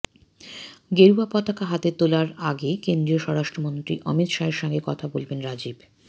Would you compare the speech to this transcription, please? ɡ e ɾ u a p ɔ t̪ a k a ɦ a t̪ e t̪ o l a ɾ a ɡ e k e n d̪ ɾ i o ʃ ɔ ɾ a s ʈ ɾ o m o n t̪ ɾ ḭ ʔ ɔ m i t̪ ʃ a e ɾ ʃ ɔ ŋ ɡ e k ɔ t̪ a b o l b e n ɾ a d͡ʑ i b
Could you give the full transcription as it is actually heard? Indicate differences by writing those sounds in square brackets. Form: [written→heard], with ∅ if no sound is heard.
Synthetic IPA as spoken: ɡ e ɾ u a p ɔ t̪ a k a ɦ a t̪ e t̪ o l a ɾ a ɡ e k e n d̪ ɾ i o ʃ ɔ ɾ a [s→ʃ] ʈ ɾ o m o n t̪ ɾ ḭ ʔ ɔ m i t̪ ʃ a e ɾ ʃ ɔ ŋ ɡ e k ɔ [t̪→t̪ʰ] a b o l b e n ɾ a d͡ʑ i b